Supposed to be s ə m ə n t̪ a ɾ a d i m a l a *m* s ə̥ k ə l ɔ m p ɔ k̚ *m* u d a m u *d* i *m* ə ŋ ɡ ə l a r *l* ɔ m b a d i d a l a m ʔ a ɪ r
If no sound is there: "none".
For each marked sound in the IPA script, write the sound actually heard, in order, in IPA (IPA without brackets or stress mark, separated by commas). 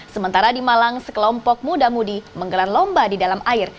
ŋ, m, d, m, l